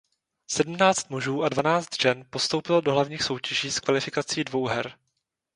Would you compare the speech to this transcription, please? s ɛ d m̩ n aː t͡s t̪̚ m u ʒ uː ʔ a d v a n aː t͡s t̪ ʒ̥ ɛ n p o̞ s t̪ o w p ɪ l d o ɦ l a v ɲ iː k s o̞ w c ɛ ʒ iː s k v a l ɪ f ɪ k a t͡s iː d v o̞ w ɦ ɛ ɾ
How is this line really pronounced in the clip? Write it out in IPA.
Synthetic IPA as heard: s ɛ d m̩ n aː t͡s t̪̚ m u ʒ uː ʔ a d v a n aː t͡s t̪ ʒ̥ ɛ n p o̞ s t̪ o w p ɪ l d o ɦ l a v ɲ iː x s o̞ w c ɛ ʒ iː s k v a l ɪ f ɪ k a t͡s iː d v o̞ w ɦ ɛ ɾ